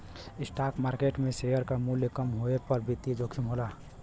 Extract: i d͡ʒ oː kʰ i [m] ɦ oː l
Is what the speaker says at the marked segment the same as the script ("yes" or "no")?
yes